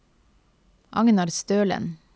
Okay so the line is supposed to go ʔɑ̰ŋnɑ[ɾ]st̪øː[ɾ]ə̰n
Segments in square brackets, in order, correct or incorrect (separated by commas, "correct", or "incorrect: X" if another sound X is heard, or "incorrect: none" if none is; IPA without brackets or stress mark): correct, incorrect: l